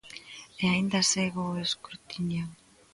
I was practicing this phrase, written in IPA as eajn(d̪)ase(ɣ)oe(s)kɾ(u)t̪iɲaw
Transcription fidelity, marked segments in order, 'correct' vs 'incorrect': correct, correct, correct, correct

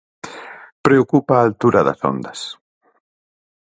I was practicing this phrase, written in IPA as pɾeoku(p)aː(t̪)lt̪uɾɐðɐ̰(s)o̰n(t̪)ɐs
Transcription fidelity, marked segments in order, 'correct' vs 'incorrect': correct, incorrect: none, correct, incorrect: d̪

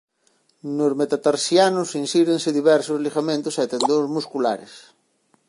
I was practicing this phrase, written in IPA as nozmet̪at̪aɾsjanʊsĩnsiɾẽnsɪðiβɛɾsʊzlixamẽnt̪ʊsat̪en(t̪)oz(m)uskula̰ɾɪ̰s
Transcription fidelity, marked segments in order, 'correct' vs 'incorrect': incorrect: d̪, correct

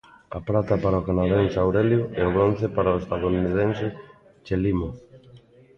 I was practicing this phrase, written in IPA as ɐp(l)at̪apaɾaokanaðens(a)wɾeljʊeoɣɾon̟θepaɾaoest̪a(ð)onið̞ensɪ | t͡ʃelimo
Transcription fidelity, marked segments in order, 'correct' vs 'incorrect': incorrect: ɾ, correct, correct

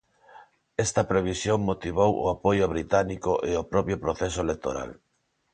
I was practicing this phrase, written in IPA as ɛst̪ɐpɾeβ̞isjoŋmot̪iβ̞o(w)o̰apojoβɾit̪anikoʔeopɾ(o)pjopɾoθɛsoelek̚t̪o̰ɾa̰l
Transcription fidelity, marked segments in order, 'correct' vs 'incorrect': correct, incorrect: ɔ

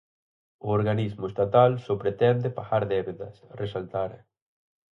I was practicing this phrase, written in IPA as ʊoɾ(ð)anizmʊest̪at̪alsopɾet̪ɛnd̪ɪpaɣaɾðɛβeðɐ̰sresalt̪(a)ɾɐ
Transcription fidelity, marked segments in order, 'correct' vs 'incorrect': incorrect: ɣ, correct

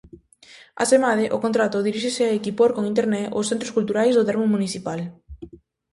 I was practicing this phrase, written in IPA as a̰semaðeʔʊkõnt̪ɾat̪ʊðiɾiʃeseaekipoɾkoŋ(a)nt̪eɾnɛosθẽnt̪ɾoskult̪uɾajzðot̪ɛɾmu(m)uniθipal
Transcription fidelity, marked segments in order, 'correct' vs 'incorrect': incorrect: i, correct

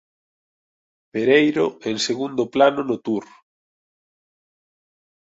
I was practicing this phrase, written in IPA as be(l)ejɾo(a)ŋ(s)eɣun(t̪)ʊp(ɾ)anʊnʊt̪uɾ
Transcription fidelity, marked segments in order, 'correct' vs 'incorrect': incorrect: ɾ, incorrect: e, correct, incorrect: d̪, incorrect: l

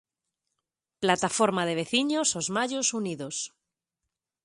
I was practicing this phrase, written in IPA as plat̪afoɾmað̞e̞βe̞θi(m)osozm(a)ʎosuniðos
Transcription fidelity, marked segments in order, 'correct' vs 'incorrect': incorrect: ɲ, correct

